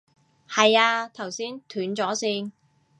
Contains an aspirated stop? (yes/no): yes